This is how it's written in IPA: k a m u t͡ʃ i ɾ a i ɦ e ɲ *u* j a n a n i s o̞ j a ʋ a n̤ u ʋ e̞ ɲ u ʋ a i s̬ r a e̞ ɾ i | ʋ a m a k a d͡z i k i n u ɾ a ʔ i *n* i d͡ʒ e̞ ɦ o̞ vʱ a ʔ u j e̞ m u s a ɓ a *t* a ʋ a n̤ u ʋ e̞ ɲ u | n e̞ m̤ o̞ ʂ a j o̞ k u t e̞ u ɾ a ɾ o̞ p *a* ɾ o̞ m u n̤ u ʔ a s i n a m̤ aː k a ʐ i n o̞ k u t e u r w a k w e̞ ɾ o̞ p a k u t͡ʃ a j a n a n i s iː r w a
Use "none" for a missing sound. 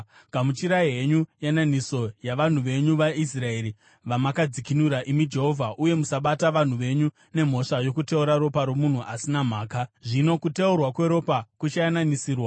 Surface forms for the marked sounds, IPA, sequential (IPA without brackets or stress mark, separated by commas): u, m, t, a